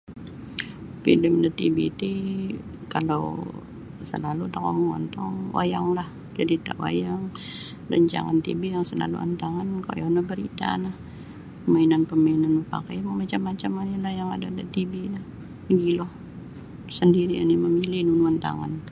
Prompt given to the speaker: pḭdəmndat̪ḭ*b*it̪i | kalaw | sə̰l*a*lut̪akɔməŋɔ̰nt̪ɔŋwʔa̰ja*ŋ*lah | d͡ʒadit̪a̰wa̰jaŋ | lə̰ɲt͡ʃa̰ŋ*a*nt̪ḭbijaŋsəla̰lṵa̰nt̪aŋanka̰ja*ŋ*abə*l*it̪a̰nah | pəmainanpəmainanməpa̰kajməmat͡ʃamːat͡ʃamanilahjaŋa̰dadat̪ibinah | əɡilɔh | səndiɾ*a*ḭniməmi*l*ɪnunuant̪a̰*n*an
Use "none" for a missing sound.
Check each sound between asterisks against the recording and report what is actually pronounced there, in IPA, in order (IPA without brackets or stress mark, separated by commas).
b, a, ŋ, a, n, ɾ, i, l, ŋ